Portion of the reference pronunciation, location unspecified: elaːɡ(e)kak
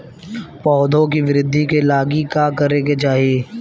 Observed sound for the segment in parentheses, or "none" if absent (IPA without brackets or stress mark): i